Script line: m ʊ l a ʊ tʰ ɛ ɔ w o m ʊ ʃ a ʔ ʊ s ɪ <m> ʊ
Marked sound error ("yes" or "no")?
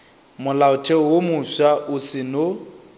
yes